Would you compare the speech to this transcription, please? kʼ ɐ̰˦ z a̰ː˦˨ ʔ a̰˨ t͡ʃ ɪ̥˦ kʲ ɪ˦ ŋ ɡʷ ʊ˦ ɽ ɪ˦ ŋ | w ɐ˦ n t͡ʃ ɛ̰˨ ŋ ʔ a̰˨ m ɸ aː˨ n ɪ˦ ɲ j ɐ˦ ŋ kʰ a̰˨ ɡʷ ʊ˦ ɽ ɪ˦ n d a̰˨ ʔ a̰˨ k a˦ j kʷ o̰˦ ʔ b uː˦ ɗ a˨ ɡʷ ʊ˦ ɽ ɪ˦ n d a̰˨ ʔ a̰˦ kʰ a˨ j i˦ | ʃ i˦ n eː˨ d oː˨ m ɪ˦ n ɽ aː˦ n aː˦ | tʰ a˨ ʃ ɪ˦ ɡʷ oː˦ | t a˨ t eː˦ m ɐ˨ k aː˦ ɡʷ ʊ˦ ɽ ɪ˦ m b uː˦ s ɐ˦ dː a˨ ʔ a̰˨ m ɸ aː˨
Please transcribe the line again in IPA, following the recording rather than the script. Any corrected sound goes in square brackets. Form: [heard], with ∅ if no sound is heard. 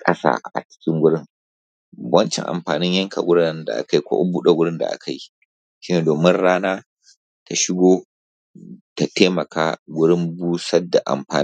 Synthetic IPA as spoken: kʼ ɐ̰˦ [s] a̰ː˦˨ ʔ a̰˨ t͡ʃ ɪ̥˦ kʲ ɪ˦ ŋ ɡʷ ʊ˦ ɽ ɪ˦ ŋ | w ɐ˦ n t͡ʃ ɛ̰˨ ŋ ʔ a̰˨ m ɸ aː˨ n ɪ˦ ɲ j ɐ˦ ŋ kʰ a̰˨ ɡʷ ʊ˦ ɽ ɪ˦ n d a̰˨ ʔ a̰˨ k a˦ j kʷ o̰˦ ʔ b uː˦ ɗ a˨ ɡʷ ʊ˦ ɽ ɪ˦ n d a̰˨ ʔ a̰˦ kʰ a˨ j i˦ | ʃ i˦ n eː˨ d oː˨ m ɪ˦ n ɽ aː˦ n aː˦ | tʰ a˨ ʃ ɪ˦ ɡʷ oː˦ | t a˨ t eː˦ m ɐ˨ k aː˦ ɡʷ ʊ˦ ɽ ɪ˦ m b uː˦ s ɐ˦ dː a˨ ʔ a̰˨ m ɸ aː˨